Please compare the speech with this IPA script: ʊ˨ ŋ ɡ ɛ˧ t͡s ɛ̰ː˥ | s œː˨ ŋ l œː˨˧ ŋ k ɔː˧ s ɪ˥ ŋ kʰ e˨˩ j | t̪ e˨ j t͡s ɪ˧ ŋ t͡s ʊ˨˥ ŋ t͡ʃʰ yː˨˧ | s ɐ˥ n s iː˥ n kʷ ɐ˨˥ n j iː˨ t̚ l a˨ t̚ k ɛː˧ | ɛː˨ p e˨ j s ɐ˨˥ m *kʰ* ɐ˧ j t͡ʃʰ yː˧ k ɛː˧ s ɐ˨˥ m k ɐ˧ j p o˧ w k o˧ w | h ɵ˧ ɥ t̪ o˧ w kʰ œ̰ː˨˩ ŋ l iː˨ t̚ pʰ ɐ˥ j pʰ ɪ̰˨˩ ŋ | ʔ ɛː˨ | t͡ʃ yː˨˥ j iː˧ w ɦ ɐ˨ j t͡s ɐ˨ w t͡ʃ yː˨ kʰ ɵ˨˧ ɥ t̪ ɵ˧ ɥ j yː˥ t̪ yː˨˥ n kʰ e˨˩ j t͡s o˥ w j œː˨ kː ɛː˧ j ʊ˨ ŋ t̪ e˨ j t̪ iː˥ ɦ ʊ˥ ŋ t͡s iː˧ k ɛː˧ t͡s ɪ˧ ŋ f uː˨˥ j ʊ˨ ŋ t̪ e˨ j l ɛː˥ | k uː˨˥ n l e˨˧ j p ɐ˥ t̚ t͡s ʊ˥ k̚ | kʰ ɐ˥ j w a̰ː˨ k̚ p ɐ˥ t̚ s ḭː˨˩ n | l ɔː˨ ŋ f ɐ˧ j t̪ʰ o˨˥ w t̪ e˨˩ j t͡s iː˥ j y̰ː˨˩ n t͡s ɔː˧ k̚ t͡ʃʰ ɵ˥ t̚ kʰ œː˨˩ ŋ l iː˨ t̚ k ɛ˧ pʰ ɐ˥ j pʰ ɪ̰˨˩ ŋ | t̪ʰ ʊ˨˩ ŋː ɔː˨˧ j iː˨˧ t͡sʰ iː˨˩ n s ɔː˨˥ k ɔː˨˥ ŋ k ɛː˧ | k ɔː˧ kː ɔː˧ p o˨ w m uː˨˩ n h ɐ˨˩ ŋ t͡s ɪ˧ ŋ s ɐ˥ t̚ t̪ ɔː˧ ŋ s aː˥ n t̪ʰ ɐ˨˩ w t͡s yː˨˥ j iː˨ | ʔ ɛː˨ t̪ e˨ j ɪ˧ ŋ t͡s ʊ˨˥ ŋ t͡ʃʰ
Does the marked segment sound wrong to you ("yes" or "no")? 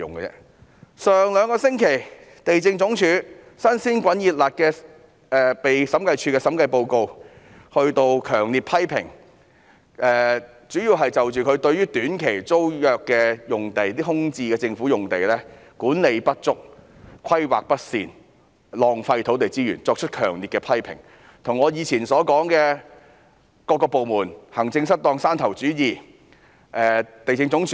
yes